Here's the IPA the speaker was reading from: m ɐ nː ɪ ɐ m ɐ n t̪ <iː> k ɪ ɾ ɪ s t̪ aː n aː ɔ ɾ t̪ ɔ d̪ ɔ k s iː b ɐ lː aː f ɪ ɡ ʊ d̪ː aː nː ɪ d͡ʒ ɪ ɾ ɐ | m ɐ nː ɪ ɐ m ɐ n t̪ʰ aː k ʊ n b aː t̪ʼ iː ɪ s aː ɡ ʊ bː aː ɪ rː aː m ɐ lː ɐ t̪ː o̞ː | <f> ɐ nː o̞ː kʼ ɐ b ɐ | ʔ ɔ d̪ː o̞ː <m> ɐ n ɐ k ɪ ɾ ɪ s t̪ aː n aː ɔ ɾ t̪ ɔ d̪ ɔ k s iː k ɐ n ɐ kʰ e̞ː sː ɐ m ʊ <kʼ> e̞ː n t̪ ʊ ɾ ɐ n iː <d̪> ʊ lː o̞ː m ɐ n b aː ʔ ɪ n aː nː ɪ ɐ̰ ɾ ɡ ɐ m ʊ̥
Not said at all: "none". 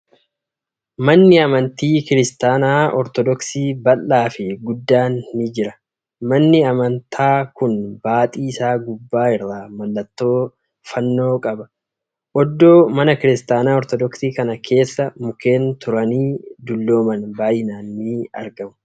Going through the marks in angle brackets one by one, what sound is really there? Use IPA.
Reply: iː, f, m, k, d̪

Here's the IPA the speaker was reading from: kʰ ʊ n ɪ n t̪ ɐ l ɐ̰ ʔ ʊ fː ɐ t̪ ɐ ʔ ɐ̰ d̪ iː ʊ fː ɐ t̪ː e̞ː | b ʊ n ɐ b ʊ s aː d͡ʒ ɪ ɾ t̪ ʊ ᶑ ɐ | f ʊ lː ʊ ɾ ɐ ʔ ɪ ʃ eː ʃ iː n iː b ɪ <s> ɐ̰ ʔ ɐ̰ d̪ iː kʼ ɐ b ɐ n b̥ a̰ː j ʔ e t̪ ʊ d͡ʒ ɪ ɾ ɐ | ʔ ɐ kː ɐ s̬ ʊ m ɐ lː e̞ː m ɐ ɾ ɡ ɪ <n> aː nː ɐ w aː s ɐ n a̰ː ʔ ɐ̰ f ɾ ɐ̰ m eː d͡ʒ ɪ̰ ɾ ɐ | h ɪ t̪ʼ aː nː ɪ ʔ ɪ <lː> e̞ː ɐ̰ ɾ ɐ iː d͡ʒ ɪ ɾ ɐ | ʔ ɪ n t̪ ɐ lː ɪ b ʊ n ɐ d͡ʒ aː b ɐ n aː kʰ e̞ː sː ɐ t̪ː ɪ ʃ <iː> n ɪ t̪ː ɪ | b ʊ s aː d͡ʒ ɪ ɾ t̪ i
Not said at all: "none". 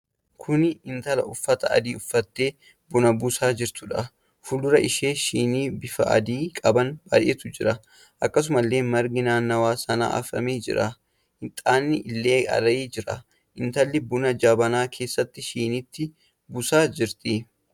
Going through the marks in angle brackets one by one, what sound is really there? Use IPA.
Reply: f, n, lː, iː

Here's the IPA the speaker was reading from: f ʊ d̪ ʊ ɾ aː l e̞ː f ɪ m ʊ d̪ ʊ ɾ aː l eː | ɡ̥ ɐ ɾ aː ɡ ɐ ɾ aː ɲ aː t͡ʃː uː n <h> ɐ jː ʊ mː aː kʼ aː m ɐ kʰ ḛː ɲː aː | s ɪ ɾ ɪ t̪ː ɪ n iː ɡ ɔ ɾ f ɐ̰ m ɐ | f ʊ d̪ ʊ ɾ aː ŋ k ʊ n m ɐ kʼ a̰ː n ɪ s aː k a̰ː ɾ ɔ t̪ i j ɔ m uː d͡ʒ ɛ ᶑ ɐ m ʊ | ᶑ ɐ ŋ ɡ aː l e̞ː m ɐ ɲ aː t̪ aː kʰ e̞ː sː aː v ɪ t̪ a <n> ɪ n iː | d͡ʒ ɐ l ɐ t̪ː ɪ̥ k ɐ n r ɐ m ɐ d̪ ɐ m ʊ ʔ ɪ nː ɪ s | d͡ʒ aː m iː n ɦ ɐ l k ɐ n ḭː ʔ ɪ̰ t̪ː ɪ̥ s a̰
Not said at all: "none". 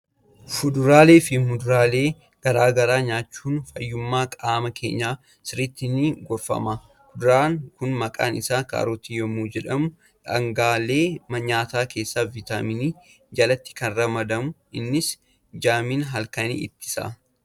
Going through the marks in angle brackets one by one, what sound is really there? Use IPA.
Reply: f, m

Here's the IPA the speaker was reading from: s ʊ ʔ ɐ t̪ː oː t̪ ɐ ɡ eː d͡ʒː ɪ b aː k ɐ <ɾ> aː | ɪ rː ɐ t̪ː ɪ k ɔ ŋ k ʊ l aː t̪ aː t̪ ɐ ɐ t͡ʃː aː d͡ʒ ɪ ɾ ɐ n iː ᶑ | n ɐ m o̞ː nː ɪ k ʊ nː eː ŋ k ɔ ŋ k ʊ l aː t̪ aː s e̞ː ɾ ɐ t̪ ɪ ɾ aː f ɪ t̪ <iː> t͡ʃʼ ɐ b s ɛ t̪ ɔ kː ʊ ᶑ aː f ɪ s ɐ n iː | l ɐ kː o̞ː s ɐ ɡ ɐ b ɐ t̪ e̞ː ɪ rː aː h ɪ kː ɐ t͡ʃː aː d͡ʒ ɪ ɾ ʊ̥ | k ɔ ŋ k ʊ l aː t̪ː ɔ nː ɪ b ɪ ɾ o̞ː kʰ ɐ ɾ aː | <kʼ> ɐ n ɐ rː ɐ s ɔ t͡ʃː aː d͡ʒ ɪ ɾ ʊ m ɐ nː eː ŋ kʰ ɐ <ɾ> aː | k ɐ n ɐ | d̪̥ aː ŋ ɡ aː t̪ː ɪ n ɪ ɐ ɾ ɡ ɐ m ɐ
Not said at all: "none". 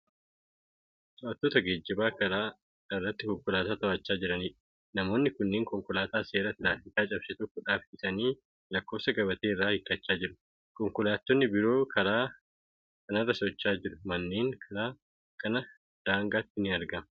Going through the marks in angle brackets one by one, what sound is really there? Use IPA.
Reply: ɾ, aː, k, ɾ

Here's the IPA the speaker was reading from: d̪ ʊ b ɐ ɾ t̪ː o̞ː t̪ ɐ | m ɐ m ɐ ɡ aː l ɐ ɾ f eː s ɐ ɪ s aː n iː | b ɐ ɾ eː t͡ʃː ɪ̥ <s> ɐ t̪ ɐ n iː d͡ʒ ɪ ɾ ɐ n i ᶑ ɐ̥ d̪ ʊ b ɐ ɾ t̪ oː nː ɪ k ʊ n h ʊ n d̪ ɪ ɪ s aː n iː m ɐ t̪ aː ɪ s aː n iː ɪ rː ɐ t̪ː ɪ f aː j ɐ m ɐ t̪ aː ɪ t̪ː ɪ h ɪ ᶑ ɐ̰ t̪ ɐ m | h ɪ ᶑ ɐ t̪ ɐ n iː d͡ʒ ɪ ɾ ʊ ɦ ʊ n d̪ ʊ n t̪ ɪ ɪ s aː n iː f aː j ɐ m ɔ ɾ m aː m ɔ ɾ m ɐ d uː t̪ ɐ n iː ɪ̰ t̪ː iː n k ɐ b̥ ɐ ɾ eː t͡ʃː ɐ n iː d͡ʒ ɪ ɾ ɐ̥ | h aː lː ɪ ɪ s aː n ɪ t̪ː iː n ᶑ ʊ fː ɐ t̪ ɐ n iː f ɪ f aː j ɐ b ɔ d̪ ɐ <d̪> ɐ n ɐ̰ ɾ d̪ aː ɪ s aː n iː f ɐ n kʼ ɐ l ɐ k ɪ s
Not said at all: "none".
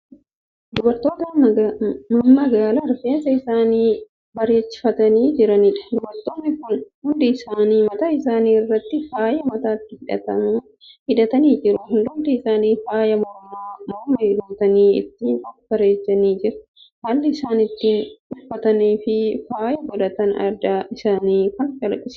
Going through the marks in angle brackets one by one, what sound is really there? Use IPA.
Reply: f, t̪

